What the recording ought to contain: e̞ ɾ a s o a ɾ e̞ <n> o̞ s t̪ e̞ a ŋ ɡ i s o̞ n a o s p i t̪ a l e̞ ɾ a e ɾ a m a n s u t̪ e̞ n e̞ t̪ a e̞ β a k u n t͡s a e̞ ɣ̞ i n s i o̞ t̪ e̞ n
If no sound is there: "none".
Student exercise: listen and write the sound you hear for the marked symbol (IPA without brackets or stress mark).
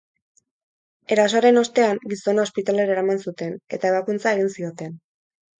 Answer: n